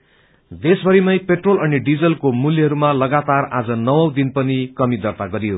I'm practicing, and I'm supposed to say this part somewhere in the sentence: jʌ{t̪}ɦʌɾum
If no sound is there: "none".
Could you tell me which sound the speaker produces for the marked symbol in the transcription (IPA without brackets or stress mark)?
none